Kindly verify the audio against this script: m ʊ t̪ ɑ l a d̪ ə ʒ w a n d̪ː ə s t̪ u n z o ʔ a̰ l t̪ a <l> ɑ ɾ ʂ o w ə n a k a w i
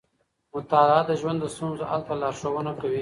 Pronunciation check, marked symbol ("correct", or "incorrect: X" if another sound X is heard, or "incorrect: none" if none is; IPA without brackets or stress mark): correct